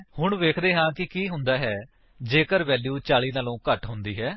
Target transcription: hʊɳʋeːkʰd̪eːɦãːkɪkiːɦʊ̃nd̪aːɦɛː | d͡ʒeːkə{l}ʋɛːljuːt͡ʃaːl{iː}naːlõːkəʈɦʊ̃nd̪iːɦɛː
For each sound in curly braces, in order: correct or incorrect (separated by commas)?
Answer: incorrect, correct